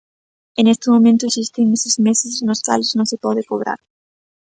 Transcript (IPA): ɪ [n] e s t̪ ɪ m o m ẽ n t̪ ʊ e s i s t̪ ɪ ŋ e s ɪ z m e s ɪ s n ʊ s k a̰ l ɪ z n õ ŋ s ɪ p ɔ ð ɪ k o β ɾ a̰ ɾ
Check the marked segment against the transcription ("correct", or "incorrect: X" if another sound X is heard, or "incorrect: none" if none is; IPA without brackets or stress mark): correct